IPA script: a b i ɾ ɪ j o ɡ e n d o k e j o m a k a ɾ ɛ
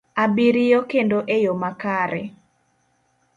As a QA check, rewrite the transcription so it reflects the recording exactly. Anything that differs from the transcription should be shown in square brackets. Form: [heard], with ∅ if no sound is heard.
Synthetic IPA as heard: a b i ɾ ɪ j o [k] e n d o [ʔ] e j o m a k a ɾ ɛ

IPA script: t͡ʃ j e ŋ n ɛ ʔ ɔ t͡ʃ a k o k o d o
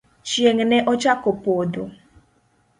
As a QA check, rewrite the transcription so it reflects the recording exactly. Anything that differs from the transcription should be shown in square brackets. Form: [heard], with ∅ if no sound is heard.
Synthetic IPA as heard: t͡ʃ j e ŋ n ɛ ʔ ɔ t͡ʃ a k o [p] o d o

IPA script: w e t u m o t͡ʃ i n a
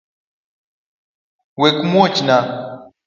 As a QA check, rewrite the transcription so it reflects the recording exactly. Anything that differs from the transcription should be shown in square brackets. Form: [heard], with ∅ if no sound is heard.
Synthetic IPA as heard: w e [k] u m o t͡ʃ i n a

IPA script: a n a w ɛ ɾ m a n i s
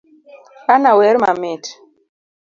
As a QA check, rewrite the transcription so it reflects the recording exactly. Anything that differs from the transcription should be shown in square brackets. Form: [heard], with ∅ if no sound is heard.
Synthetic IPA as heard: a n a w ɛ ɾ m a [m] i [t]

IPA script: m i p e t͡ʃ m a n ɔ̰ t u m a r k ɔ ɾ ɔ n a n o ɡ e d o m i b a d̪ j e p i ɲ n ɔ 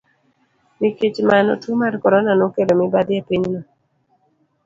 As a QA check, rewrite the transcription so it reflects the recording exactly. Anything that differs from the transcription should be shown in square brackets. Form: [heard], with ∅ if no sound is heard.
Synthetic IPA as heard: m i [k] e t͡ʃ m a n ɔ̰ t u m a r k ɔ ɾ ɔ n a n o [k] e d o m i b a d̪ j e p i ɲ n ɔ

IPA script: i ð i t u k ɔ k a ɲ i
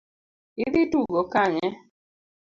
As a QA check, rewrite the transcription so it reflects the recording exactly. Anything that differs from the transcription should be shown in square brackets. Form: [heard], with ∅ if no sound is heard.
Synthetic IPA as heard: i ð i t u [ɡ] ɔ k a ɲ [ɛ]

